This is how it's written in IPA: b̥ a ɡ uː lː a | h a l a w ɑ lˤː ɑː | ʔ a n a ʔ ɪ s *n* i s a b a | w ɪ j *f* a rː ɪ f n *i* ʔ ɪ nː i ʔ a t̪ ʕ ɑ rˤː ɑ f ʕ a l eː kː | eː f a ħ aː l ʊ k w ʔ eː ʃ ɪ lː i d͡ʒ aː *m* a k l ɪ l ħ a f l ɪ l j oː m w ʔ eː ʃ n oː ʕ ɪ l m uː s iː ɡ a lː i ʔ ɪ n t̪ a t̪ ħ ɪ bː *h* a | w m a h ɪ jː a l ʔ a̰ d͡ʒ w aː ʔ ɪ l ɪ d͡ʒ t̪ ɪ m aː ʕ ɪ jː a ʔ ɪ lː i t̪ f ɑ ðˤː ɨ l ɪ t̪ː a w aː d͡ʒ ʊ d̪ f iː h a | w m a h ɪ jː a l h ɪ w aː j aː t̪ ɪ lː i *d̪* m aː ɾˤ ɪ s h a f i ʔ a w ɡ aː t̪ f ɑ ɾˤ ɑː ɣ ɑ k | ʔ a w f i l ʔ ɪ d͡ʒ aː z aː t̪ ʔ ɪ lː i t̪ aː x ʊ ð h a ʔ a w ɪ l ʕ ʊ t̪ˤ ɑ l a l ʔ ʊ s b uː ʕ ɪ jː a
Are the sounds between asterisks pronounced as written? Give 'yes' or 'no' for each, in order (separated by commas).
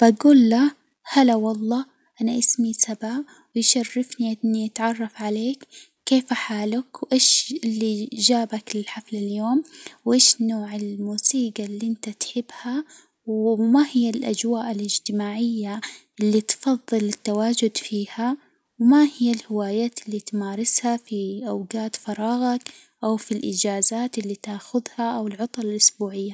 no, no, yes, no, yes, no